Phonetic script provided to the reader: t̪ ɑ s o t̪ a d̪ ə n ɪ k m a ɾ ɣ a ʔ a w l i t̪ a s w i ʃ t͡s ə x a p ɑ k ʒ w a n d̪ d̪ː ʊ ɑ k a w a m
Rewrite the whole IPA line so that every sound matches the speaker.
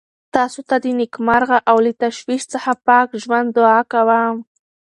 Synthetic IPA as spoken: t̪ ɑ s o t̪ a d̪ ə n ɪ k m a ɾ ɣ a ʔ a w l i t̪ a ʃ w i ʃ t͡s ə x a p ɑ k ʒ w a n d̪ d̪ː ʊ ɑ k a w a m

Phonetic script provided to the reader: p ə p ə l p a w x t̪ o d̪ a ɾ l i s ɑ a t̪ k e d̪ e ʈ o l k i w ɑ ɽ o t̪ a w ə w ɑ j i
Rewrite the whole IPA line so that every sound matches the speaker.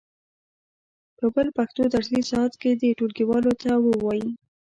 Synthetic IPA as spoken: p ə b ə l p a x t̪ o d̪ a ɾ l i s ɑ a t̪ k e d̪ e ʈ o l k i w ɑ l o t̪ a w ə w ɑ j i

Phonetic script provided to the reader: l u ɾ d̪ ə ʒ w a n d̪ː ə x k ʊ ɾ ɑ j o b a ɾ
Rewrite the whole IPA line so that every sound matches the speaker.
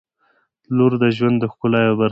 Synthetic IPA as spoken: l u ɾ d̪ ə ʒ w a n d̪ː ə x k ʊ l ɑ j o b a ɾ

